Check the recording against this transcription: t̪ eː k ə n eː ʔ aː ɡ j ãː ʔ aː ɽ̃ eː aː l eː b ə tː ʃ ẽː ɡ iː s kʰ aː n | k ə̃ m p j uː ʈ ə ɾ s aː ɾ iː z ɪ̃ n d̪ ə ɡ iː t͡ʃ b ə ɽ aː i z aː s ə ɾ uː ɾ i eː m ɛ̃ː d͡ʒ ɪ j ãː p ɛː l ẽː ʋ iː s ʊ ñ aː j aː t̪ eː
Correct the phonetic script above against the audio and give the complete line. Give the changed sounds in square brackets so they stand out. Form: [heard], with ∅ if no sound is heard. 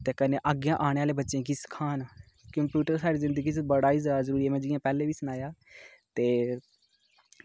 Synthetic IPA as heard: t̪ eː k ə n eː ʔ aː ɡ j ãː ʔ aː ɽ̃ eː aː l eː b ə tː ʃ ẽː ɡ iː s kʰ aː n | k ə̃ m p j uː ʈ ə ɾ s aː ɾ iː z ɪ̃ n d̪ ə ɡ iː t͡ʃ b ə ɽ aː i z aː [z] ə ɾ uː ɾ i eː m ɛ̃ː d͡ʒ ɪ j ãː p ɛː l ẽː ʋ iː s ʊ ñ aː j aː t̪ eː